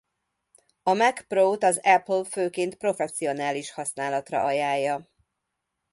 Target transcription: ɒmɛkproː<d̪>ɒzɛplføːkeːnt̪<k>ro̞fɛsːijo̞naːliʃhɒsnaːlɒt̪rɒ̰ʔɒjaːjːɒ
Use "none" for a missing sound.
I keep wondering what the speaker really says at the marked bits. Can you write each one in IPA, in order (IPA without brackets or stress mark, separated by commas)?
t̪, p